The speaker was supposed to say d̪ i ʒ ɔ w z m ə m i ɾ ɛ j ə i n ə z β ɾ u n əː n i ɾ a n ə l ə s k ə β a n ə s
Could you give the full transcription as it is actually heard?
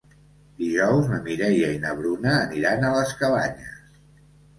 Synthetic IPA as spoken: d̪ i ʒ ɔ w z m ə m i ɾ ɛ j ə i n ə β ɾ u n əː n i ɾ a n ə l ə s k ə β a ɲ ə s